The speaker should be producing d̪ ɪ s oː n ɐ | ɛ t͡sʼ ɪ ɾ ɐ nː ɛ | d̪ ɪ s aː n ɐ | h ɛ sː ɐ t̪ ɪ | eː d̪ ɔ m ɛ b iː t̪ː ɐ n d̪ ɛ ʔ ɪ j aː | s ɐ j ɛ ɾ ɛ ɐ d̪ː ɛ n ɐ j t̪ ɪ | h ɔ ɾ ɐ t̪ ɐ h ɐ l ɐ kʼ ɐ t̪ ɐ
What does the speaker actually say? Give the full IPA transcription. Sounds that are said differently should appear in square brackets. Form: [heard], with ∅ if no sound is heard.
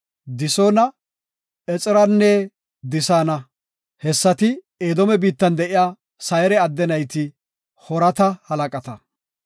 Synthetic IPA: d̪ ɪ s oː n ɐ | ɛ t͡sʼ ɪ ɾ ɐ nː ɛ | d̪ ɪ s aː n ɐ | h ɛ sː ɐ t̪ ɪ | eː d̪ ɔ m ɛ b iː t̪ː ɐ n d̪ ɛ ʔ ɪ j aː | s ɐ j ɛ ɾ ɛ ɐ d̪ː ɛ n ɐ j t̪ ɪ | h ɔ ɾ ɐ t̪ ɐ h ɐ l ɐ kʼ ɐ t̪ ɐ